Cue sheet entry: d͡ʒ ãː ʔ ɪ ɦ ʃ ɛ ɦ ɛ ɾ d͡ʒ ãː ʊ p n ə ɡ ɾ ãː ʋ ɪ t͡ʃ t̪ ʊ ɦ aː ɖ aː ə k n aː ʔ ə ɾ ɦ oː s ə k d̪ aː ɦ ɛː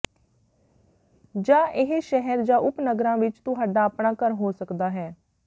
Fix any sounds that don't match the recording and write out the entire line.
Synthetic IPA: d͡ʒ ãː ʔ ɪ ɦ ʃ ɛ ɦ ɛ ɾ d͡ʒ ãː ʊ p n ə ɡ ɾ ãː ʋ ɪ t͡ʃ t̪ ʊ ɦ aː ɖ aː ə p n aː k ə ɾ ɦ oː s ə k d̪ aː ɦ ɛː